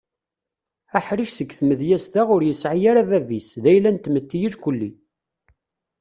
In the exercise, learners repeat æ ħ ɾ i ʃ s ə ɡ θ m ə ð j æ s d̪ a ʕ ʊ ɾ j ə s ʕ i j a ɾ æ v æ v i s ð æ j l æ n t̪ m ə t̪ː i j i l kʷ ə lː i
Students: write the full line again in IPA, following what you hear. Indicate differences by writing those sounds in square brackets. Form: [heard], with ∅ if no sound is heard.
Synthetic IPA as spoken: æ ħ ɾ i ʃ s ə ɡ θ m ə ð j æ s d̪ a [ʁ] ʊ ɾ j ə s ʕ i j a ɾ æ v æ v i s ð æ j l æ n t̪ m ə t̪ː i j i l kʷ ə lː i